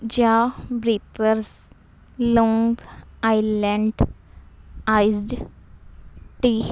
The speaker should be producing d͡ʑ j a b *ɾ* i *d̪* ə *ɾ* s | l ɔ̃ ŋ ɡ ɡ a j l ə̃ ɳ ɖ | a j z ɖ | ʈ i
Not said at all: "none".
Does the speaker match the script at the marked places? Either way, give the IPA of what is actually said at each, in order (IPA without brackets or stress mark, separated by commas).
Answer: ɾ, t̪, ɾ